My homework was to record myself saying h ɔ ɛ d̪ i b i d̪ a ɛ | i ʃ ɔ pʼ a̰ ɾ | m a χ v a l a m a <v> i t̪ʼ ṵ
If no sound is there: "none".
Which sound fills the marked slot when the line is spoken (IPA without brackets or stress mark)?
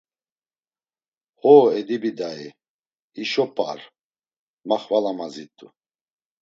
z